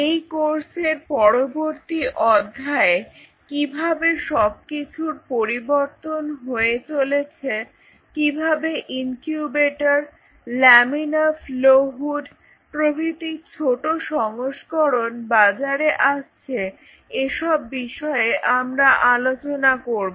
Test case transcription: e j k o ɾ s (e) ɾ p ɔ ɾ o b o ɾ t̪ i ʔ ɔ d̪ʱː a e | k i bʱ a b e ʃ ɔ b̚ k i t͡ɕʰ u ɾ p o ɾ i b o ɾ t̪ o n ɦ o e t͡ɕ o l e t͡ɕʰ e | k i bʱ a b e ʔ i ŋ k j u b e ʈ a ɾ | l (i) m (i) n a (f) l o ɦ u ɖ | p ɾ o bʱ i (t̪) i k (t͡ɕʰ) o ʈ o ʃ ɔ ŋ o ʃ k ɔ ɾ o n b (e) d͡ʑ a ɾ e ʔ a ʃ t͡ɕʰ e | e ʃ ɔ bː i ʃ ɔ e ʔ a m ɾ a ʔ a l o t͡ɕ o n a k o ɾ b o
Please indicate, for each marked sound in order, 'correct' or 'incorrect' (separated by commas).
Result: correct, incorrect, correct, correct, correct, correct, incorrect